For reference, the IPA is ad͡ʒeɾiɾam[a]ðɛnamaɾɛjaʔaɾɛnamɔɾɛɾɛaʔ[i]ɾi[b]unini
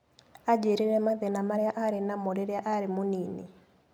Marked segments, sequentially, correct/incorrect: correct, incorrect: a, incorrect: m

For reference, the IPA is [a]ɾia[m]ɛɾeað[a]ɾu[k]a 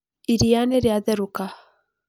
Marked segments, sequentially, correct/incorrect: incorrect: i, incorrect: n, incorrect: ɛ, correct

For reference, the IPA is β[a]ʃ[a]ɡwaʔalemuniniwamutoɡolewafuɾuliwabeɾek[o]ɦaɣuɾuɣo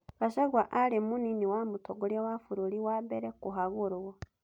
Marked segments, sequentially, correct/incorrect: correct, correct, incorrect: u

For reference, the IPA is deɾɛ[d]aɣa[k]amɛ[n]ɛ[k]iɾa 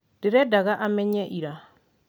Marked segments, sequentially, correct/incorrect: correct, incorrect: ʔ, incorrect: ɲ, incorrect: ʔ

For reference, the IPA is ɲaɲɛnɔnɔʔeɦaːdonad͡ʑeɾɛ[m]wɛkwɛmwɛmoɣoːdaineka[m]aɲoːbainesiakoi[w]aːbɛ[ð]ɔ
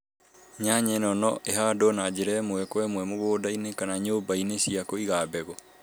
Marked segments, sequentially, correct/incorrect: correct, incorrect: n, incorrect: ɣ, incorrect: ɣ

